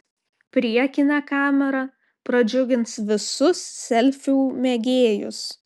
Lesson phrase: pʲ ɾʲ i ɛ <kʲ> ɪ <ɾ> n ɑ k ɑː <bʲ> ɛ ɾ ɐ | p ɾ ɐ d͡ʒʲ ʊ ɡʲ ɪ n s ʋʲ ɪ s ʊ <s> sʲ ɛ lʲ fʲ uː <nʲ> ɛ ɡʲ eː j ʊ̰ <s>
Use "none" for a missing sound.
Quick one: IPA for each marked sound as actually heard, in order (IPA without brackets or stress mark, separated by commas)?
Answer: kʲ, none, mʲ, s, mʲ, s